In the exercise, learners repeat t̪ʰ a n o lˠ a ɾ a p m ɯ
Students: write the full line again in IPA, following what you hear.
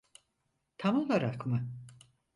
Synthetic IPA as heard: t̪ʰ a m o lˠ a ɾ a k m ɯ